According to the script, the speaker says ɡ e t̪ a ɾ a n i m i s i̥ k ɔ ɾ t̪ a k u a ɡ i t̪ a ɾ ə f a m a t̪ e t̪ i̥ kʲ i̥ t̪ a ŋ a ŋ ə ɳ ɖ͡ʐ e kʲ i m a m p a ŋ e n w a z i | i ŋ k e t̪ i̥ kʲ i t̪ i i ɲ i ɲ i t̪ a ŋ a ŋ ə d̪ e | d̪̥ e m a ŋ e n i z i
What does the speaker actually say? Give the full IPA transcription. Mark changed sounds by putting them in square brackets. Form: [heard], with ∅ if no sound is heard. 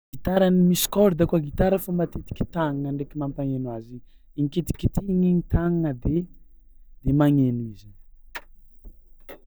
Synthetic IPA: ɡ [i] t̪ a ɾ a n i m i s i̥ k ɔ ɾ [d̪] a k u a ɡ i t̪ a ɾ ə f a m a t̪ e t̪ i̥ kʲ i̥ t̪ a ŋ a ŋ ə ɳ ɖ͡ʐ e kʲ i m a m p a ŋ e n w a z i | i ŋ k e t̪ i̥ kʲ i t̪ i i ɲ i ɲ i t̪ a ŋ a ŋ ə d̪ e | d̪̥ e m a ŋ e n i z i